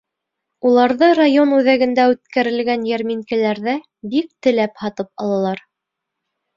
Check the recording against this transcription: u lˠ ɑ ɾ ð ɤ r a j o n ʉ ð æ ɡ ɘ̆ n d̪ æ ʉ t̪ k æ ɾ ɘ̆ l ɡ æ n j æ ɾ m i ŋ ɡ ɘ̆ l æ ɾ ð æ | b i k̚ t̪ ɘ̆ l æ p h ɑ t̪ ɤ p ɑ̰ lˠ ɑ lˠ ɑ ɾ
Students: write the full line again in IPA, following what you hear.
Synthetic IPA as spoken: u lˠ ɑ ɾ ð ɤ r a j o n ʉ ð æ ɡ ɘ̆ n d̪ æ ʉ t̪ k æ ɾ ɘ̆ l ɡ æ n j æ ɾ m i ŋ k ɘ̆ l æ ɾ ð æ | b i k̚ t̪ ɘ̆ l æ p h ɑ t̪ ɤ p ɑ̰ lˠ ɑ lˠ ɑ ɾ